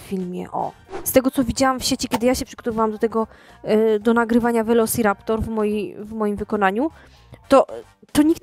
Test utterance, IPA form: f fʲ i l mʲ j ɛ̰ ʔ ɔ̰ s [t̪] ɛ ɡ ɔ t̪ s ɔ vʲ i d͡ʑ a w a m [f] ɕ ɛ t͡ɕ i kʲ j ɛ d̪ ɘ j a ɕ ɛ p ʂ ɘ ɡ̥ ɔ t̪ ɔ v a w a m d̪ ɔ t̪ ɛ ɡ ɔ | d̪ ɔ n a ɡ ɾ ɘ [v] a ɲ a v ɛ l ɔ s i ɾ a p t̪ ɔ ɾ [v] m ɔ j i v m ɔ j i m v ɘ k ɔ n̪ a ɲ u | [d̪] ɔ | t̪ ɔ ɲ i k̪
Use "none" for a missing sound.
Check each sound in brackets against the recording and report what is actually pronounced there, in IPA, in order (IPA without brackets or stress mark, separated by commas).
t̪, f, v, v, t̪